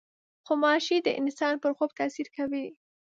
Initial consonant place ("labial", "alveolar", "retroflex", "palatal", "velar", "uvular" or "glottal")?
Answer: velar